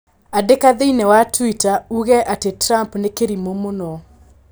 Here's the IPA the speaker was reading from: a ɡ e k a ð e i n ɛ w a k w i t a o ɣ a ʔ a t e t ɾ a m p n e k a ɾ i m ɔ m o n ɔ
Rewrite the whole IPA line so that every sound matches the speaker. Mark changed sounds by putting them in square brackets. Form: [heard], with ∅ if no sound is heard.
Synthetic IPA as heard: a [d] e k a ð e i n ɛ w a [t] w i t a [u] ɣ [ɛ] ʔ a t e t ɾ a m p n e k [e] ɾ i m [o] m o n ɔ